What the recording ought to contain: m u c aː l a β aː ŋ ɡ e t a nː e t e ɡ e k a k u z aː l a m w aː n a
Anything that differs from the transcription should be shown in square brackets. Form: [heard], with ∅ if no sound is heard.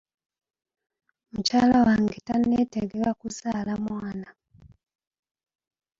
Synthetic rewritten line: m u c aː l a [w] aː ŋ ɡ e t a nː e t e ɡ e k a k u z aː l a m w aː n a